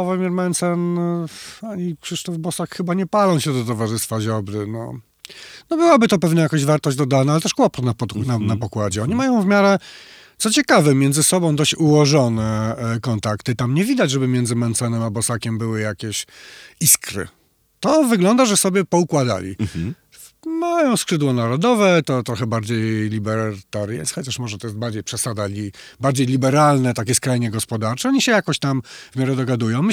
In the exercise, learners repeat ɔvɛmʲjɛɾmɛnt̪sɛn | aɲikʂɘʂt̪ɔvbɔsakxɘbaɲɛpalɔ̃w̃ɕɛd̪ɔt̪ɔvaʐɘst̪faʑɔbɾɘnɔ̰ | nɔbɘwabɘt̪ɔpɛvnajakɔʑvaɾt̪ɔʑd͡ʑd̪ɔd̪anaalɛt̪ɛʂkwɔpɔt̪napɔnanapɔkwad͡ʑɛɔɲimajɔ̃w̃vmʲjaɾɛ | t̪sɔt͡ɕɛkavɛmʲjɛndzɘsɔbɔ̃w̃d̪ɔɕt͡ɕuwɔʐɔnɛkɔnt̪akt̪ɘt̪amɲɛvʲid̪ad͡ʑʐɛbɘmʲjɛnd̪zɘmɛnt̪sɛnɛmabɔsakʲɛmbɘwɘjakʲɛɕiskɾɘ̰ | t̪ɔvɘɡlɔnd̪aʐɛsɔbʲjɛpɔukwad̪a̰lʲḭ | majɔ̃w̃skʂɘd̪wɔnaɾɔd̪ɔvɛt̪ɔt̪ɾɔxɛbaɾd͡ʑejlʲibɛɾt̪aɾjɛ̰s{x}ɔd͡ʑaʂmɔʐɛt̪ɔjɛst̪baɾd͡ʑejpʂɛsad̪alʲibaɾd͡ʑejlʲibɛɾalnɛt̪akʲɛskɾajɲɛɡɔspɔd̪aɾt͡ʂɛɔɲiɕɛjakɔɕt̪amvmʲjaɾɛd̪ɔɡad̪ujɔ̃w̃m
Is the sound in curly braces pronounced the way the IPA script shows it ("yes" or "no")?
yes